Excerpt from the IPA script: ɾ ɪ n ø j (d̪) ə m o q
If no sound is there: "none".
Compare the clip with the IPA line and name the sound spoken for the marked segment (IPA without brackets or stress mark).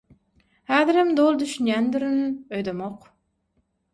d̪